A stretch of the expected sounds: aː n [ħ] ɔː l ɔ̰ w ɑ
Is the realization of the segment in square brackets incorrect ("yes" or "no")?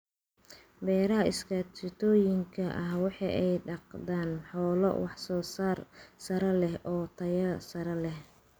no